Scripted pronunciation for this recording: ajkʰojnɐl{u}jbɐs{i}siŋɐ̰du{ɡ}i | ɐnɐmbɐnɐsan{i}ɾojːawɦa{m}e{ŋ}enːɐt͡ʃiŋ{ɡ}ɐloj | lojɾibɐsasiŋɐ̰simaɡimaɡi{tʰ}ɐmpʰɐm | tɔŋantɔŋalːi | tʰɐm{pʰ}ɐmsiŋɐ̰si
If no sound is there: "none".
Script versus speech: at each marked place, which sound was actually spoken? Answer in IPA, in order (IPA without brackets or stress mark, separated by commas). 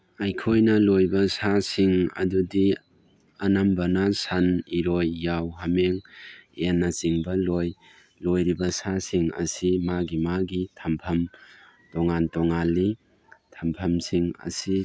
o, a, d, i, m, ŋ, b, tʰ, pʰ